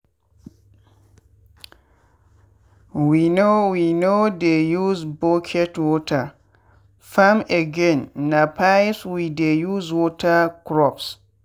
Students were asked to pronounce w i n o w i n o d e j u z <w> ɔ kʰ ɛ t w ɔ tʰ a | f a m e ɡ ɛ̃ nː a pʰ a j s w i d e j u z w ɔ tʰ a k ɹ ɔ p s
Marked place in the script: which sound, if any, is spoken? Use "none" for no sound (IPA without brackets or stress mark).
b